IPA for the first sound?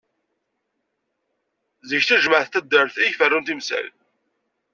z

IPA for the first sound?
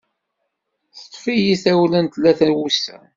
θ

